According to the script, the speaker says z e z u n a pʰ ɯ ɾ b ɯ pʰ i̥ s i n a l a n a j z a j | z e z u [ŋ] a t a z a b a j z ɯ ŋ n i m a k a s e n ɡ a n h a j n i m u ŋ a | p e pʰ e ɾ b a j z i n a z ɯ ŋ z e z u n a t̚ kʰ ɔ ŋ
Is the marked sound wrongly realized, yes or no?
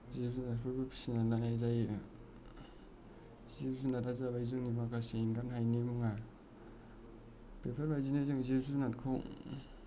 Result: yes